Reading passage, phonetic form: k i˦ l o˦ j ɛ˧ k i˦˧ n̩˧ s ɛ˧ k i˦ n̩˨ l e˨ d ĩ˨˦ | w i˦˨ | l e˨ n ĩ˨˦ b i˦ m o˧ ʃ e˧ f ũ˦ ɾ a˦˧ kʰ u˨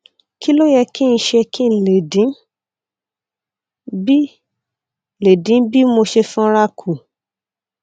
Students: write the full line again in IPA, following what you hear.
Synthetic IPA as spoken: k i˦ l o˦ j ɛ˧ k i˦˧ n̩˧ ʃ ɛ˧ k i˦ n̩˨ l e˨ d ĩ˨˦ | b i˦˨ | l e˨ d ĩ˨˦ b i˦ m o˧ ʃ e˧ f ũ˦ ɾ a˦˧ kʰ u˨